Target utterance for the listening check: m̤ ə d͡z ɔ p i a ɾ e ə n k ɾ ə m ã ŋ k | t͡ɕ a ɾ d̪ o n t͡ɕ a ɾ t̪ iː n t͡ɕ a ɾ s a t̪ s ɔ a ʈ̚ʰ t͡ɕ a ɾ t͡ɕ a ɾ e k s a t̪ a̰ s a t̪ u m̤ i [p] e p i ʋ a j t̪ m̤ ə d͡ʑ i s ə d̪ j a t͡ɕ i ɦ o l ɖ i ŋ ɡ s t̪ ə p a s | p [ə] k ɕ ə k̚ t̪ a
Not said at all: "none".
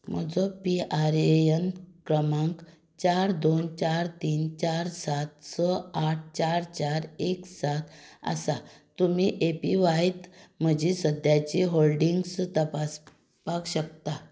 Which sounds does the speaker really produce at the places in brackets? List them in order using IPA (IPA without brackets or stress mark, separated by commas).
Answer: ʔ, a